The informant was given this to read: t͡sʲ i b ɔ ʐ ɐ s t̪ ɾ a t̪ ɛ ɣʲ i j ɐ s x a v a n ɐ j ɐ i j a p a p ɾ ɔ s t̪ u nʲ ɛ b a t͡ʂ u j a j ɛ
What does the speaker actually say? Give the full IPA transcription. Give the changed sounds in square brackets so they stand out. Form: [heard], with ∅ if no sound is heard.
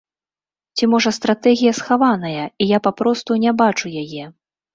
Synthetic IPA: t͡sʲ i [m] ɔ ʐ ɐ s t̪ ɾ a t̪ ɛ ɣʲ i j ɐ s x a v a n ɐ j ɐ i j a p a p ɾ ɔ s t̪ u nʲ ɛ b a t͡ʂ u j a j ɛ